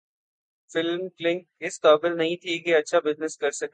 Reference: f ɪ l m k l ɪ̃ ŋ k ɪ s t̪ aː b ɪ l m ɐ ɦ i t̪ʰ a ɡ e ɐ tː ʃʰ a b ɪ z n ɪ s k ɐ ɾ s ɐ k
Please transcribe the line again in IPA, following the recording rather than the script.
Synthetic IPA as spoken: f ɪ l m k l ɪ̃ ŋ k ɪ s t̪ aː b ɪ l n ɐ ɦ ĩ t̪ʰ i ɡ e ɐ tː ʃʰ a b ɪ z n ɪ s k ɐ ɾ s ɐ k